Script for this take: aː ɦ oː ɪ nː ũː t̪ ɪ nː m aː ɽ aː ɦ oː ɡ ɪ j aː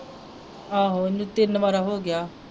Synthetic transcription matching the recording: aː ɦ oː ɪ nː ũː t̪ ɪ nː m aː ɾ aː ɦ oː ɡ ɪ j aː

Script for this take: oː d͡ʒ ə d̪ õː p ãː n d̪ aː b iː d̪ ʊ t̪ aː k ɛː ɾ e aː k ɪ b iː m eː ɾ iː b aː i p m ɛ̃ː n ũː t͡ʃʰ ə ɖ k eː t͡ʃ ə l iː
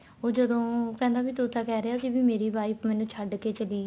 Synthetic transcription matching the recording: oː d͡ʒ ə d̪ õː p ɛ̃ː n d̪ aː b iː t̪ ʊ t̪ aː k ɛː ɾ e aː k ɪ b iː m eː ɾ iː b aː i p m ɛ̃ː n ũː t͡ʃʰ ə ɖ k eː t͡ʃ ə l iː

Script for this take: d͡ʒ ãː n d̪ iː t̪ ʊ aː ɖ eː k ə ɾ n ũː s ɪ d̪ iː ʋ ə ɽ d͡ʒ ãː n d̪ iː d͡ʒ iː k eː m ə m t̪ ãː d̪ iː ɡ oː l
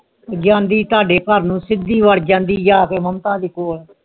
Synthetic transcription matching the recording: d͡ʒ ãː n d̪ iː t̪ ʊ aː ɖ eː k ə ɾ n ũː s ɪ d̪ iː ʋ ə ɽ d͡ʒ ãː n d̪ iː d͡ʒ aː k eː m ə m t̪ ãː d̪ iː k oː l

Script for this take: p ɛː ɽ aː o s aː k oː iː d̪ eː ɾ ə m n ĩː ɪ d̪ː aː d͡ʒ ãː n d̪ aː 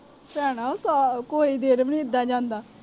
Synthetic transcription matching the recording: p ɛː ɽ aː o s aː k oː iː d̪ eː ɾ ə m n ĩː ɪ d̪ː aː d͡ʒ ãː n d̪ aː

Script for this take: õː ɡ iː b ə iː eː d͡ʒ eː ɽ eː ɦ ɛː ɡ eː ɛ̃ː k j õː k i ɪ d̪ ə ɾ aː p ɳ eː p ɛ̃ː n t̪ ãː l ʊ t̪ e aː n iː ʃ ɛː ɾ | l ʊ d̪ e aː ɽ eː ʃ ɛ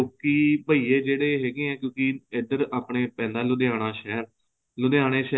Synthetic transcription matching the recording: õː k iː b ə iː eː d͡ʒ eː ɽ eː ɦ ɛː ɡ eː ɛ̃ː k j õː k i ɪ d̪ ə ɾ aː p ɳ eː p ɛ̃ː n d̪ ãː l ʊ d̪ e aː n aː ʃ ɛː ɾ | l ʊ d̪ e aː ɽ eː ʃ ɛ

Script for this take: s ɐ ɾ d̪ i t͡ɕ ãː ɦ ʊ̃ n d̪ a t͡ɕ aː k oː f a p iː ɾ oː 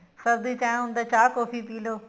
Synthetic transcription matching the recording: s ɐ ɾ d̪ i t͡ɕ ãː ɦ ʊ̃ n d̪ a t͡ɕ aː k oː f i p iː l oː

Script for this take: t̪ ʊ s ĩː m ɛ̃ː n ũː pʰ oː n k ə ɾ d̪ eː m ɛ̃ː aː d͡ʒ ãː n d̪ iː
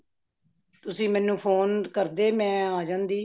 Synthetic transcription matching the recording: t̪ ʊ s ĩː m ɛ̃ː n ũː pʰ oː n k ə ɾ d̪ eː m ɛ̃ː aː d͡ʒ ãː n d̪ iː

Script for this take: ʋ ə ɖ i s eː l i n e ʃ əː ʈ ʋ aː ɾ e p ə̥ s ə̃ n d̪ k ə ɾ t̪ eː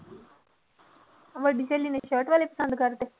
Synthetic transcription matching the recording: ʋ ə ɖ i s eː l i n e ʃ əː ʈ ʋ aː l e p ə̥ s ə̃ n d̪ k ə ɾ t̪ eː

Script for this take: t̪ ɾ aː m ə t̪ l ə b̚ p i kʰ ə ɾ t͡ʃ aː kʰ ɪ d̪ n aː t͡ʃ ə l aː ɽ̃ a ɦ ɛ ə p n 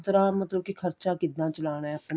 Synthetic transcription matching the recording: t̪ ɾ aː m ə t̪ l ə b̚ k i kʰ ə ɾ t͡ʃ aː k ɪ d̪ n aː t͡ʃ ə l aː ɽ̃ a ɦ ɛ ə p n

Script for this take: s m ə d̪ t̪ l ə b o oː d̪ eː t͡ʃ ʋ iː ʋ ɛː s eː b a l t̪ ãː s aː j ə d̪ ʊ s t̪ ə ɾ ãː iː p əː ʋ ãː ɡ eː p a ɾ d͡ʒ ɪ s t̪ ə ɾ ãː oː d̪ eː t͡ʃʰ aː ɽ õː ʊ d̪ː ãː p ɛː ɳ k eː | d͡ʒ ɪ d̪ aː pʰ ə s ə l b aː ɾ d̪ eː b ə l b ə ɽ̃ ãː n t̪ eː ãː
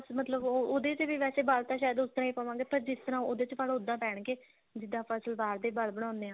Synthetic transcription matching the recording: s m ə t̪ l ə b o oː d̪ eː t͡ʃ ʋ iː ʋ ɛː s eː b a l t̪ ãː ʃ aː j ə d̪ ʊ s t̪ ə ɾ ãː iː p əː ʋ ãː ɡ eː p ə ɾ d͡ʒ ɪ s t̪ ə ɾ ãː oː d̪ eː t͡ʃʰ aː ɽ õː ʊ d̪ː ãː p ɛː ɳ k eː | d͡ʒ ɪ d̪ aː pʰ ə s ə l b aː ɾ d̪ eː b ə l b ə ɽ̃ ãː n d̪ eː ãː

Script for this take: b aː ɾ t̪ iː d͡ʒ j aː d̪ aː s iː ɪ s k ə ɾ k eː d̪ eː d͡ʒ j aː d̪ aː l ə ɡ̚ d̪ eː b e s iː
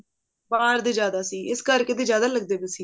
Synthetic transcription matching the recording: b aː ɾ d̪ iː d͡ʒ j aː d̪ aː s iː ɪ s k ə ɾ k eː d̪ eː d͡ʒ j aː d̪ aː l ə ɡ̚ d̪ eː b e s iː

